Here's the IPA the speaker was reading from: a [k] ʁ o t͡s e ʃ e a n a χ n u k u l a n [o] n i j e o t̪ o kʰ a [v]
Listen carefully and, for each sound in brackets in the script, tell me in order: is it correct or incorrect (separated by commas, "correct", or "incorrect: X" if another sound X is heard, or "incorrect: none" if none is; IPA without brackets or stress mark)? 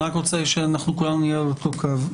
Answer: correct, incorrect: u, correct